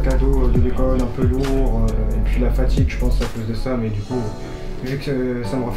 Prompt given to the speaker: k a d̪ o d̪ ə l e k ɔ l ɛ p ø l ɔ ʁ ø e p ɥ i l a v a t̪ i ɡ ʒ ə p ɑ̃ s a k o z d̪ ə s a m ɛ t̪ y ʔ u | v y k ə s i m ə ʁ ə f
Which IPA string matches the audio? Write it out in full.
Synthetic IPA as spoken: k a d̪ o d̪ ə l e k ɔ l ɛ̃ p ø l u ʁ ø e p ɥ i l a f a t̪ i ɡ ʒ ə p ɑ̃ s a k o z d̪ ə s a m ɛ d̪ y k u | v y k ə s a m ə ʁ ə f